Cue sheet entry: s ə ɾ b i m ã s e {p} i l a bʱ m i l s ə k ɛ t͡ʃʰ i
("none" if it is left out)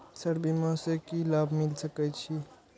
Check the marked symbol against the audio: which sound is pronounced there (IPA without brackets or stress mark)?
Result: k